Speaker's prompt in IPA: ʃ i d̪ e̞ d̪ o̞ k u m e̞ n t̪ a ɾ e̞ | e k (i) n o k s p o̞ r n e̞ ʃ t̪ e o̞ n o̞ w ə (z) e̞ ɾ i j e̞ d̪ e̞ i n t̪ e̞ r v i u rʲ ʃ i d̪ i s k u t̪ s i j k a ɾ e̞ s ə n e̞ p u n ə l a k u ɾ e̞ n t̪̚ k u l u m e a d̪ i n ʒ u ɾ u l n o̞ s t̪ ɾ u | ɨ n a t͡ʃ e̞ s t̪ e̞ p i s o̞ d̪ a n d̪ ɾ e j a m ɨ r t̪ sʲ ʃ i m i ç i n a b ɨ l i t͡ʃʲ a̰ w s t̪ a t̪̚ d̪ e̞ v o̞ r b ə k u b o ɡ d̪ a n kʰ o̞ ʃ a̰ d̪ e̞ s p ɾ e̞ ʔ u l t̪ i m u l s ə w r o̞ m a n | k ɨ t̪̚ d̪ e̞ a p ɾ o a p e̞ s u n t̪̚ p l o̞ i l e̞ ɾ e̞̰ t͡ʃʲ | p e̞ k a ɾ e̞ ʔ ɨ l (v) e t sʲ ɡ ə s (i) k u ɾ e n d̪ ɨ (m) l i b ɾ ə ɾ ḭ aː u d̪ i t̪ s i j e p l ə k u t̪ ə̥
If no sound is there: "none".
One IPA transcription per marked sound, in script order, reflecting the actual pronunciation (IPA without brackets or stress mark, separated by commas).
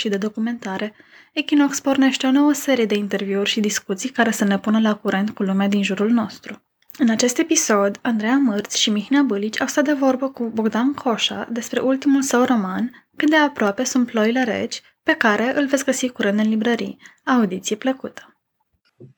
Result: i, s, v, i, n